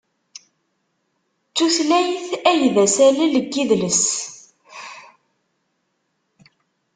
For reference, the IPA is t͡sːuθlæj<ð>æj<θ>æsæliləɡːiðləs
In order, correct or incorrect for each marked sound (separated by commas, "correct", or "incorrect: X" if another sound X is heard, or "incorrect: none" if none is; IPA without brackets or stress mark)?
incorrect: θ, incorrect: ð